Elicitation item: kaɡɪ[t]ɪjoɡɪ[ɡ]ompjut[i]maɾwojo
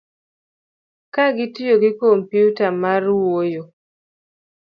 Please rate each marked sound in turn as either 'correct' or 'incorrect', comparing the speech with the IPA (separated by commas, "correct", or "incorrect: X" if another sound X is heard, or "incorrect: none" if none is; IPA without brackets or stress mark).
correct, incorrect: k, incorrect: a